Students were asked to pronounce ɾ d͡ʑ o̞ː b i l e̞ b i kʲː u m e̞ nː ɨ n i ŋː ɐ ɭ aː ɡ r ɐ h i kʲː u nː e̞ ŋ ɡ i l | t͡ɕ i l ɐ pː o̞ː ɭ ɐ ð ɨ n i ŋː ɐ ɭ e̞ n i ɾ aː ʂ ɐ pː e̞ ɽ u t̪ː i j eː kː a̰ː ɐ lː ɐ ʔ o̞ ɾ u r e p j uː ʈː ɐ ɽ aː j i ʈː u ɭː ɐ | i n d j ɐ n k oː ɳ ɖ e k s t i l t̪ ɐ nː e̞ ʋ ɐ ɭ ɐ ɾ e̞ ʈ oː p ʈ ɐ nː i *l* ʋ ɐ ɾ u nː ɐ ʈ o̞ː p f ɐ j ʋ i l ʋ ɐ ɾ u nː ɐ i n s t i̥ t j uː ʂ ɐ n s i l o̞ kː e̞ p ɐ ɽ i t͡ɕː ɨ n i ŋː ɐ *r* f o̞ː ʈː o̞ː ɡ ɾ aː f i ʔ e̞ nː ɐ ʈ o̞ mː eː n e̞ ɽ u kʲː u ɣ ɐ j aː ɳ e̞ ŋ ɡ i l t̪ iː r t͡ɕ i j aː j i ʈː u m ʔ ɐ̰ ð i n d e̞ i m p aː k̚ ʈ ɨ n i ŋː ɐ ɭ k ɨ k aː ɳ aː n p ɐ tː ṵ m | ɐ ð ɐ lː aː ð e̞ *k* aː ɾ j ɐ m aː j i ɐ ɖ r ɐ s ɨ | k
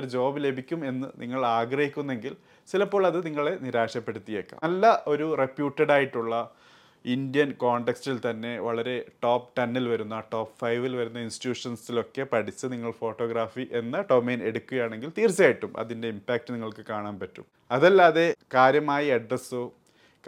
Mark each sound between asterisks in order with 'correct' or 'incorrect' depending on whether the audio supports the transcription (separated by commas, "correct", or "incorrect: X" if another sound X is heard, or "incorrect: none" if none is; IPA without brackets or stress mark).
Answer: correct, incorrect: ɭ, correct